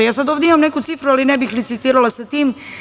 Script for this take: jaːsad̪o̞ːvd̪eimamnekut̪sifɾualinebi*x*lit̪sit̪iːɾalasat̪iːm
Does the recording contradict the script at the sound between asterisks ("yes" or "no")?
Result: no